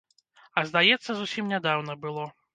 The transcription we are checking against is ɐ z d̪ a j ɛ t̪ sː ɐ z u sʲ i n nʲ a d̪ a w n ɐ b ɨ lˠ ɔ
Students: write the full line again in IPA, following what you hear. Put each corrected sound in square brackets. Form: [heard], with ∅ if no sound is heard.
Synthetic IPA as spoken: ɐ z d̪ a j ɛ t̪ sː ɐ z u sʲ i [m] nʲ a d̪ a w n ɐ b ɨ lˠ ɔ